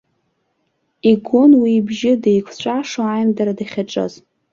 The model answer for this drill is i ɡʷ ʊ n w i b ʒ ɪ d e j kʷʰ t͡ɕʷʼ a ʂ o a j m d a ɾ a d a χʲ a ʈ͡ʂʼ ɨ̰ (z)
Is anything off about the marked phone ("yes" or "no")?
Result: no